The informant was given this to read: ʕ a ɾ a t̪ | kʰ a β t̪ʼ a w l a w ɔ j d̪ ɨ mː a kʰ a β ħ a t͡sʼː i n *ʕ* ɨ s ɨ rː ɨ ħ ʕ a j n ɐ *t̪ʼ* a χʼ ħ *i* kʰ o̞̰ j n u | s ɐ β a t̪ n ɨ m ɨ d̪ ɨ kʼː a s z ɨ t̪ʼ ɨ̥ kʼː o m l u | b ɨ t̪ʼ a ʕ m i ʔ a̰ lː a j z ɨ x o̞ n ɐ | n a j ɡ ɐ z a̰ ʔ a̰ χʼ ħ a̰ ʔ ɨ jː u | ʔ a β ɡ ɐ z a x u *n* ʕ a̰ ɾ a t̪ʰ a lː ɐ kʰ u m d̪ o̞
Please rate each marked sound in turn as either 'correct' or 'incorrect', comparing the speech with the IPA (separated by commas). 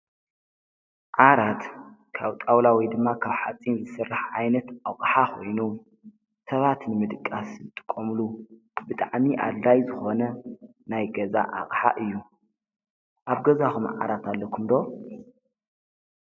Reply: incorrect, incorrect, incorrect, incorrect